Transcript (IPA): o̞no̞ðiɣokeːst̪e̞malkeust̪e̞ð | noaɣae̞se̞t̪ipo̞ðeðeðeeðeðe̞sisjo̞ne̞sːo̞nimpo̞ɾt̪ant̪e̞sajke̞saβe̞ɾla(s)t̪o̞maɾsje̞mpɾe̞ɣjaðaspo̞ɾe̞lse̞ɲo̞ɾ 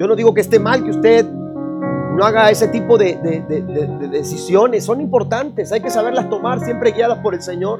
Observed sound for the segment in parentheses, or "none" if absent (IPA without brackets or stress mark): s